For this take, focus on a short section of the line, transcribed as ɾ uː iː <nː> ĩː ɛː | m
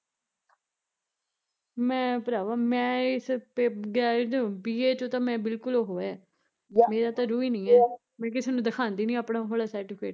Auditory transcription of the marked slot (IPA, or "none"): n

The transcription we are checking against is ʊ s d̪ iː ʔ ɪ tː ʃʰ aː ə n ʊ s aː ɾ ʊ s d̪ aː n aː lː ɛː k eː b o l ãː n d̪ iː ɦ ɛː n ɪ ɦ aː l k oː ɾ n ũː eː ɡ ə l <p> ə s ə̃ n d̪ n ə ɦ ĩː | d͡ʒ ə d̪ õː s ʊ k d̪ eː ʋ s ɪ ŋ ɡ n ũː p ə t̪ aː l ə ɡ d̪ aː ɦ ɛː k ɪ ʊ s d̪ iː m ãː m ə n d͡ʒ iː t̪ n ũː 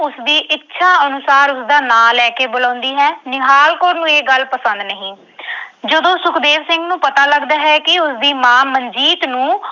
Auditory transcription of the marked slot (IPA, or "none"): p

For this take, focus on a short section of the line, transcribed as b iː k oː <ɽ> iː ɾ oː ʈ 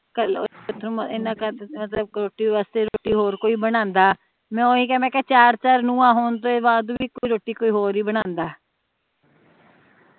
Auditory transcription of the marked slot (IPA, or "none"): none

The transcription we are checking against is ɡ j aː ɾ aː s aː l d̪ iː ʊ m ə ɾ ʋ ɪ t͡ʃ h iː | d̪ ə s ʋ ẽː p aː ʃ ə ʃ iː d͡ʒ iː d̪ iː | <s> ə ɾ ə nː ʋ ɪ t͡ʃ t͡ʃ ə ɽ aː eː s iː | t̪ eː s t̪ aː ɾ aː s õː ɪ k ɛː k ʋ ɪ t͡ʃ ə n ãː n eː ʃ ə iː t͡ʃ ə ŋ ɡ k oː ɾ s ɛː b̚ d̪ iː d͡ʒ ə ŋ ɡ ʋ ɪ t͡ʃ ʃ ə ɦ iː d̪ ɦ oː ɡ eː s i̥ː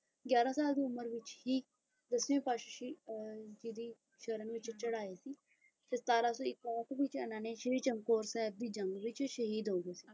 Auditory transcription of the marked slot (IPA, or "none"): ʃ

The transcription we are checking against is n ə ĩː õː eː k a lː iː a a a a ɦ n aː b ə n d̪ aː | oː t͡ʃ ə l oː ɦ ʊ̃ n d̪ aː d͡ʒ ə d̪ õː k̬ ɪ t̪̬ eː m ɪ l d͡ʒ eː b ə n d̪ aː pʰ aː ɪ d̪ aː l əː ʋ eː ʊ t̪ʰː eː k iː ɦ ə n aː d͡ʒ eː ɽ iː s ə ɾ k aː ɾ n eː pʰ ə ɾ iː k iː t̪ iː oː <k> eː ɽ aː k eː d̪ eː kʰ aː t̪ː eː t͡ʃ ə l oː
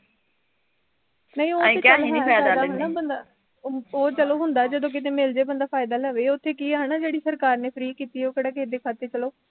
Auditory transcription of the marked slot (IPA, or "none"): k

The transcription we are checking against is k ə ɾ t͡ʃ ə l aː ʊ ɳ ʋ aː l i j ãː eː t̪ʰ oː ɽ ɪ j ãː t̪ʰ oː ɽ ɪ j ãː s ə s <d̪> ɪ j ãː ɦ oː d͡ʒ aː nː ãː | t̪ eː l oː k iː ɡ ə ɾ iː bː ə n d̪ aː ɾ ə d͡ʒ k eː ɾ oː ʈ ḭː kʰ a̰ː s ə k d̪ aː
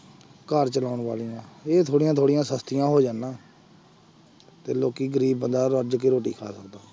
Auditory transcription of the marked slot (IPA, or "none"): t̪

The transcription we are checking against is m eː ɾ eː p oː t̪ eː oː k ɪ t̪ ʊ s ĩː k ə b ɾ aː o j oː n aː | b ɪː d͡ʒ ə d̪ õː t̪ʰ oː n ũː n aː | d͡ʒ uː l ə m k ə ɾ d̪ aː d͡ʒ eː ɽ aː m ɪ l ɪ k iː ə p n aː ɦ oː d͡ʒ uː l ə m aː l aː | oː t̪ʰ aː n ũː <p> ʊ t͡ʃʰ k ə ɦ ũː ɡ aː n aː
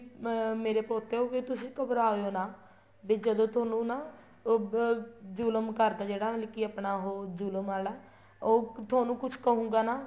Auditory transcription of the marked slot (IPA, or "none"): k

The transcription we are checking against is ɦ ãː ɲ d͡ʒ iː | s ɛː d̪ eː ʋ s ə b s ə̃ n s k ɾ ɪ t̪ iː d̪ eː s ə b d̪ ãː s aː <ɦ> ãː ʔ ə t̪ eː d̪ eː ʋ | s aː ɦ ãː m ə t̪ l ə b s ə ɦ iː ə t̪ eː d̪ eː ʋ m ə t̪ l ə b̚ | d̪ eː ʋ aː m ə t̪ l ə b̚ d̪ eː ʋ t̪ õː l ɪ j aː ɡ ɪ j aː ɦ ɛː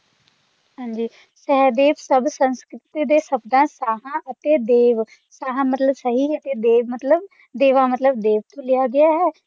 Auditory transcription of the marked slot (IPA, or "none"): ɦ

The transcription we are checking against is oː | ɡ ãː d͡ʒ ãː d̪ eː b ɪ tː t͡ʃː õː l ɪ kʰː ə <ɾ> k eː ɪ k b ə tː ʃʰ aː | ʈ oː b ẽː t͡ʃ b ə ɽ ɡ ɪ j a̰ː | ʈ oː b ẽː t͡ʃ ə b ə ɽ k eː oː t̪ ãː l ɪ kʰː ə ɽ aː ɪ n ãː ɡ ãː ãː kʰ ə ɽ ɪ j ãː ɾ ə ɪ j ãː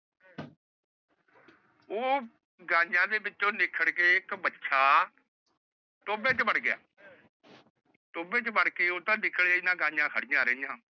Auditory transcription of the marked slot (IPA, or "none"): ɽ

